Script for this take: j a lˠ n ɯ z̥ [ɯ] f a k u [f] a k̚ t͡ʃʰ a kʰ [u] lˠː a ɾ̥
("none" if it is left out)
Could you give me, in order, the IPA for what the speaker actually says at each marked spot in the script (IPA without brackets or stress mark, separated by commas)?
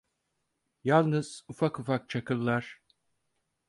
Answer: u, f, ɯ